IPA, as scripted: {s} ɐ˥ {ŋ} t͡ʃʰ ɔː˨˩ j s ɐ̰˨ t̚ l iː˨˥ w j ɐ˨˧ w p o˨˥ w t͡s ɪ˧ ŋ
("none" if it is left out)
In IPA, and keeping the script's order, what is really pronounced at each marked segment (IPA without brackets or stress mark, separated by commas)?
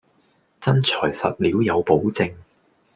t͡s, n